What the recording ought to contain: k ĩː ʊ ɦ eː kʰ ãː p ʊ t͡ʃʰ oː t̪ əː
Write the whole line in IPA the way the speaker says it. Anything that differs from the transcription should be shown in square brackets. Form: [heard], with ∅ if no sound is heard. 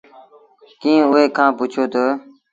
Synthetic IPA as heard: k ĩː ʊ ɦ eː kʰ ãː p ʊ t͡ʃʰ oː t̪ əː